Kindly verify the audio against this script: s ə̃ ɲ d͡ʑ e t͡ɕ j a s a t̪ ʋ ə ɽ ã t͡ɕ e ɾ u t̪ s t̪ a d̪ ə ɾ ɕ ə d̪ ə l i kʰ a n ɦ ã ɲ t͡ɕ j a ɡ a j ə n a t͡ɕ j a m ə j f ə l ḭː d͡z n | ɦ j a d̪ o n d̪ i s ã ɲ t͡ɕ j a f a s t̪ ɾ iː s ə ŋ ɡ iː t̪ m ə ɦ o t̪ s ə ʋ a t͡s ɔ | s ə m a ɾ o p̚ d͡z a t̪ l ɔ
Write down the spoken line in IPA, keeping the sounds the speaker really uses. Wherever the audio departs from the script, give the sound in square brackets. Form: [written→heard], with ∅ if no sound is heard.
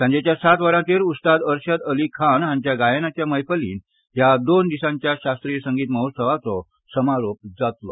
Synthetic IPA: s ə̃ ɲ d͡ʑ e t͡ɕ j a s a t̪ ʋ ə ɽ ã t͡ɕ e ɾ u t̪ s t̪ a d̪ ə ɾ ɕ ə d̪ ə l i kʰ a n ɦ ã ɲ t͡ɕ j a ɡ a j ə n a t͡ɕ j a m ə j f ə l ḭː [d͡z→∅] n | ɦ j a d̪ o n d̪ i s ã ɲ t͡ɕ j a [f→ɕ] a s t̪ ɾ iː s ə ŋ ɡ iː t̪ m ə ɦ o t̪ s ə ʋ a t͡s ɔ | s ə m a ɾ o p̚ d͡z a t̪ l ɔ